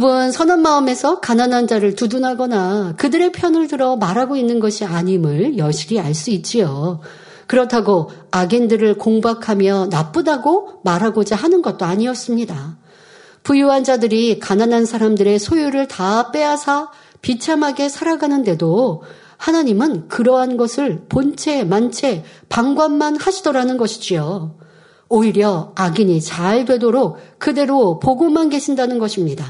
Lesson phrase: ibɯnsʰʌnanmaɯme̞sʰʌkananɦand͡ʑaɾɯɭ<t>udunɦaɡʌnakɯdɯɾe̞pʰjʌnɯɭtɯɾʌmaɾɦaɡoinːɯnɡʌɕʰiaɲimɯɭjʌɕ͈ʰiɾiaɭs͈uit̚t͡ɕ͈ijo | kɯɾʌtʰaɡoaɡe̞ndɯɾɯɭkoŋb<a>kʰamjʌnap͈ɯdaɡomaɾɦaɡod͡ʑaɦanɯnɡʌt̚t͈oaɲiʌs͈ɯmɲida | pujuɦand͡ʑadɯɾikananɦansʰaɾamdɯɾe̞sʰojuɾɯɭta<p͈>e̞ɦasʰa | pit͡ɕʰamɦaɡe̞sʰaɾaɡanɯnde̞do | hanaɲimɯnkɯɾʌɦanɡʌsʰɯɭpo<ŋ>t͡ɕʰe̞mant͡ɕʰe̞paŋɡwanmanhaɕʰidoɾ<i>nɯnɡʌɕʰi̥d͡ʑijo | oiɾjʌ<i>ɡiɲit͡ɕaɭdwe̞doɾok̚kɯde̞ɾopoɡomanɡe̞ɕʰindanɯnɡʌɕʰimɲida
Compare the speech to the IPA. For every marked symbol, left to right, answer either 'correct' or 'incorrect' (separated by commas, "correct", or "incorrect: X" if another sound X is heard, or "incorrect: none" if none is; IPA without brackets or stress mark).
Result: correct, correct, correct, incorrect: n, incorrect: a, incorrect: a